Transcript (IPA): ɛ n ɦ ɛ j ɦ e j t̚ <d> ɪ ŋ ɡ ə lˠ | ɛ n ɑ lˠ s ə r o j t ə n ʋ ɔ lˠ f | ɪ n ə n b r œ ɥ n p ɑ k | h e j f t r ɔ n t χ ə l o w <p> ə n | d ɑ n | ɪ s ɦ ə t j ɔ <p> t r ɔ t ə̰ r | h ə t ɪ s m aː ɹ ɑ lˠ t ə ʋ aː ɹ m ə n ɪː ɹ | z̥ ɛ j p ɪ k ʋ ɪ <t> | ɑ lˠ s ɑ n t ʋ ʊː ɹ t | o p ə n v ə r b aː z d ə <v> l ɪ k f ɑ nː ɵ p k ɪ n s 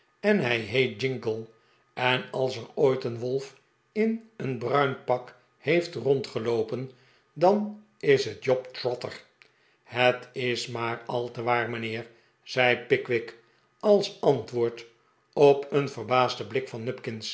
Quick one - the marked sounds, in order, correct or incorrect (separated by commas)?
incorrect, correct, correct, incorrect, incorrect